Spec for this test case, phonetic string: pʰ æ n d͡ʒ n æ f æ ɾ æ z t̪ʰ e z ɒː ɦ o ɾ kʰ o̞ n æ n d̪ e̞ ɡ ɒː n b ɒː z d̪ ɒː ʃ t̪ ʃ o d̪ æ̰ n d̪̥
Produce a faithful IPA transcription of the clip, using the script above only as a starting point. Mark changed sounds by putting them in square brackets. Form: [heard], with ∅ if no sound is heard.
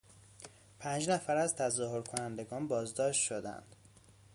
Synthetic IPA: pʰ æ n d͡ʒ n æ f æ ɾ æ z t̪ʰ [æ] z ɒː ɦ o ɾ kʰ o̞ n æ n d̪ e̞ ɡ ɒː n b ɒː z d̪ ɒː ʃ t̪ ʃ o d̪ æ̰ n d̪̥

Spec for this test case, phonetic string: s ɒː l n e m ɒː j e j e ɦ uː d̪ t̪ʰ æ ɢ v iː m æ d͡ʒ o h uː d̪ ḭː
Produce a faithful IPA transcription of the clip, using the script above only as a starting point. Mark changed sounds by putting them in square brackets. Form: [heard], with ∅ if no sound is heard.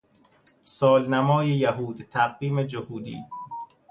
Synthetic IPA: s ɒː l n [æ] m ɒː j e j [æ] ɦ uː d̪ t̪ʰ æ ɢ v iː m [e] d͡ʒ o h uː d̪ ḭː

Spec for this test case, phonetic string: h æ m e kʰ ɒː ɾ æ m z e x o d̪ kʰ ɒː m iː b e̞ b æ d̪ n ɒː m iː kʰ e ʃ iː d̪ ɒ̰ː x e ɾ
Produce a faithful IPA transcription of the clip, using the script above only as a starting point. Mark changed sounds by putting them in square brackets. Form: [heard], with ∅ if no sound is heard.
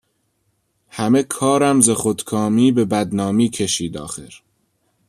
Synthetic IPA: h æ m e kʰ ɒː ɾ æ m z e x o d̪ kʰ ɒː m iː b e̞ b æ d̪ n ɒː m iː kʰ e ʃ iː d̪ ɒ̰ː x e ɾ

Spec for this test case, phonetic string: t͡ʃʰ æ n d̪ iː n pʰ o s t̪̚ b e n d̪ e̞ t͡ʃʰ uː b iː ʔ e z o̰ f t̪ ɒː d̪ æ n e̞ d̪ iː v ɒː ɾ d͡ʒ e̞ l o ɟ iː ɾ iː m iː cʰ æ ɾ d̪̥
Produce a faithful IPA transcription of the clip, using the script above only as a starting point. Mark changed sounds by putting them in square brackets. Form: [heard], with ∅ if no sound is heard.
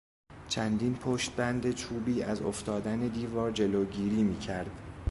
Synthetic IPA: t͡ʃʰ æ n d̪ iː n pʰ o [ʃ] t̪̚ b [æ] n d̪ e̞ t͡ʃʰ uː b iː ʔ [æ] z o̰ f t̪ ɒː d̪ æ n e̞ d̪ iː v ɒː ɾ d͡ʒ e̞ l o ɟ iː ɾ iː m iː cʰ æ ɾ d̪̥

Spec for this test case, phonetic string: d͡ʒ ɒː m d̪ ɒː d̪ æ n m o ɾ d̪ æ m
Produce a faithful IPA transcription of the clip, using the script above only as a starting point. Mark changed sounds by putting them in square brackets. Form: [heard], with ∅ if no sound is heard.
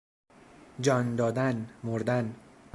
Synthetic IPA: d͡ʒ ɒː [n] d̪ ɒː d̪ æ n m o ɾ d̪ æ [n]

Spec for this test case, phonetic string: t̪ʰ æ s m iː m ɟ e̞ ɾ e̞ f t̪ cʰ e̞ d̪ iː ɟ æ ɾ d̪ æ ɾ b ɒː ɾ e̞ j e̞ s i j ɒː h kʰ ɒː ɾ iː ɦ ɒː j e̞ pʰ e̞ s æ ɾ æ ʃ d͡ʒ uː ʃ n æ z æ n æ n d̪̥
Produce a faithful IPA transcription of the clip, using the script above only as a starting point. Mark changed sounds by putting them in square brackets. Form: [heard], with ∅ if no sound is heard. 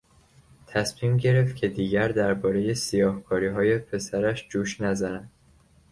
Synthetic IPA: t̪ʰ æ s m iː m ɟ e̞ ɾ e̞ f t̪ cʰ e̞ d̪ iː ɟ æ ɾ d̪ æ ɾ b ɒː ɾ e̞ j e̞ s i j ɒː h kʰ ɒː ɾ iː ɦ ɒː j e̞ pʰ e̞ s æ ɾ æ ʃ d͡ʒ uː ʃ n æ z æ n æ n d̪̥

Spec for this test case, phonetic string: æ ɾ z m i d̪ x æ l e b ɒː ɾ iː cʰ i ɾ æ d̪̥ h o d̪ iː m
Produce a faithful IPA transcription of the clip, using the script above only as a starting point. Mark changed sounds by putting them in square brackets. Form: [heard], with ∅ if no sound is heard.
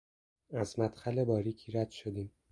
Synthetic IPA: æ [∅] z m [æ] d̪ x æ l e b ɒː ɾ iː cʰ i ɾ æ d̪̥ [ʃ] o d̪ iː m

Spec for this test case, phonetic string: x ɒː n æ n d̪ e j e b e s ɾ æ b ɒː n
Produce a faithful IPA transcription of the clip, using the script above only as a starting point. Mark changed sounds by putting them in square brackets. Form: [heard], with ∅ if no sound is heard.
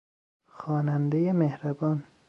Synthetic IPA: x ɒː n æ n d̪ e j e [m] e [h] ɾ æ b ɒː n

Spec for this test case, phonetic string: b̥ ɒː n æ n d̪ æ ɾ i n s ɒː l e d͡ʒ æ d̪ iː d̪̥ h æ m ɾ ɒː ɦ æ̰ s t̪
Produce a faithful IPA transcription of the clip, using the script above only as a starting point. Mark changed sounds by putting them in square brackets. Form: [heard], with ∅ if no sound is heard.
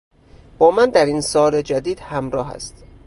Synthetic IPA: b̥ ɒː [m] æ n d̪ æ ɾ i n s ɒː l e d͡ʒ æ d̪ iː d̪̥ h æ m ɾ ɒː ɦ æ̰ s t̪

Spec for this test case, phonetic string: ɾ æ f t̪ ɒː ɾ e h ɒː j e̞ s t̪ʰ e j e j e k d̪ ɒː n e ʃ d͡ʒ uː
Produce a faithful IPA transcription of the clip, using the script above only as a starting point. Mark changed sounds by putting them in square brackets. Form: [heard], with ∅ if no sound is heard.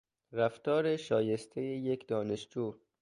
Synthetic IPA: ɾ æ f t̪ ɒː ɾ e [ʃ] ɒː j e̞ s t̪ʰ e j e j e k d̪ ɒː n e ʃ d͡ʒ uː

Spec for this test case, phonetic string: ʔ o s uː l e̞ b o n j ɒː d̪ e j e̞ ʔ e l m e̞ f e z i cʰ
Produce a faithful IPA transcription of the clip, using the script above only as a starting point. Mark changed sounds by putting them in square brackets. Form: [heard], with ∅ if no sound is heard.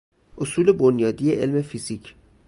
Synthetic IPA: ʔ o s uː l e̞ b o n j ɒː d̪ [i] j e̞ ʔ e l m e̞ f [i] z i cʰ

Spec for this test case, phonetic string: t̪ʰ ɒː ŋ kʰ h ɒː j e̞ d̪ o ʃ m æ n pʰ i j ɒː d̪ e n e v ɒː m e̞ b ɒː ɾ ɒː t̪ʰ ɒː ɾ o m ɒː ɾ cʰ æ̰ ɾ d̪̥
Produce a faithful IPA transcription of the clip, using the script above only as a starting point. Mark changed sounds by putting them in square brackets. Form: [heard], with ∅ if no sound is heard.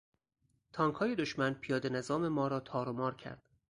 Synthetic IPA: t̪ʰ ɒː ŋ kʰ h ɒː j e̞ d̪ o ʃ m æ n pʰ i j ɒː d̪ e n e [z] ɒː m e̞ [m] ɒː ɾ ɒː t̪ʰ ɒː ɾ o m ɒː ɾ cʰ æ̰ ɾ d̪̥

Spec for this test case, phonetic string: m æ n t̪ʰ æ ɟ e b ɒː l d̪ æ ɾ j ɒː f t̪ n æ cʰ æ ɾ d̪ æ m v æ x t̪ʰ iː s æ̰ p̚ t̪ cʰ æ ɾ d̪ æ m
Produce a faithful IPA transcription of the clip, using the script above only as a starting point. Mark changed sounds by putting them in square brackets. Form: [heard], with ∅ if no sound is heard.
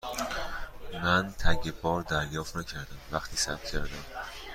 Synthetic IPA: m æ n t̪ʰ æ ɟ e b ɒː [ɾ] d̪ æ ɾ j ɒː f t̪ n æ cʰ æ ɾ d̪ æ m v æ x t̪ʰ iː s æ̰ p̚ t̪ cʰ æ ɾ d̪ æ m

